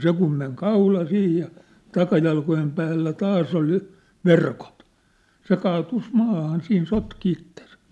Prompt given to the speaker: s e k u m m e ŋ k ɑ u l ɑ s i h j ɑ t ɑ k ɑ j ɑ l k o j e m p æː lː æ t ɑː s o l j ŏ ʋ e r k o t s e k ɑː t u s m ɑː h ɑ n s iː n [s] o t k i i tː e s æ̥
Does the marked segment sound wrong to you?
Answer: no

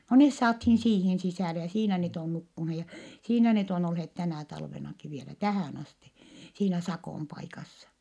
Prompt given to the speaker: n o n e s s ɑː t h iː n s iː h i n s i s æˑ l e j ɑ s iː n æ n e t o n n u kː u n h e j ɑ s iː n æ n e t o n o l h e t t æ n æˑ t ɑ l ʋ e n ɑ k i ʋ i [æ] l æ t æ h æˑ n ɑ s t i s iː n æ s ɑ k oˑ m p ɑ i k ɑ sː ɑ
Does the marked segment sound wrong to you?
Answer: yes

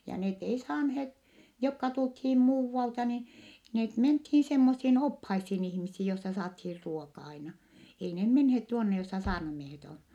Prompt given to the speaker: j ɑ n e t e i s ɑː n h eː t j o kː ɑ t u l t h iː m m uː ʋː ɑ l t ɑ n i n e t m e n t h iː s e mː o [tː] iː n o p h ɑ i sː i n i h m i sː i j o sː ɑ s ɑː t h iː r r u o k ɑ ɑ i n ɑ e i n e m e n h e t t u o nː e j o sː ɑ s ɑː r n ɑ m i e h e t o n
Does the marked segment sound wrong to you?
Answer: yes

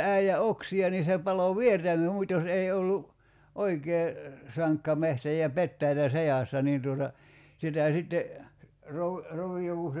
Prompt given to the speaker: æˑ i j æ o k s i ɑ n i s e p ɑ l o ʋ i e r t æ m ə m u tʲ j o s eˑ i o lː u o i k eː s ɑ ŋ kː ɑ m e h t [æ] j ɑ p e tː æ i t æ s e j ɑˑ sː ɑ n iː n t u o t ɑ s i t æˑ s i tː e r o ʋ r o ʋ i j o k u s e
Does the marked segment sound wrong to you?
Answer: no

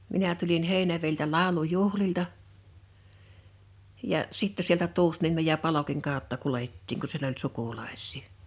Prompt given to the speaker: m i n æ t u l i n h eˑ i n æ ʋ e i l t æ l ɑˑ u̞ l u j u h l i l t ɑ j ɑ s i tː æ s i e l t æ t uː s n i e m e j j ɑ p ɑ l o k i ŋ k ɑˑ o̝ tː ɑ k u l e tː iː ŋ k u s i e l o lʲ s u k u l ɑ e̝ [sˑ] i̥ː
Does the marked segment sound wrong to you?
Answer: no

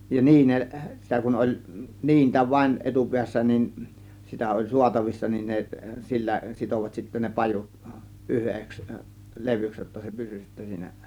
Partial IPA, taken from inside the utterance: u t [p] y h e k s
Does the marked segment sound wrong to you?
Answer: yes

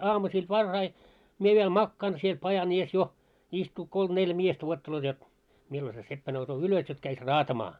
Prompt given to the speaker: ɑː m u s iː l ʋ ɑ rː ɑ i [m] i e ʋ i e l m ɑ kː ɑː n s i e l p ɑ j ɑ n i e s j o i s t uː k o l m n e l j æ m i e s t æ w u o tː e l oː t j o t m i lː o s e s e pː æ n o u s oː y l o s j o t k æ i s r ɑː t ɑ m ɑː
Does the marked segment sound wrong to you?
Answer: no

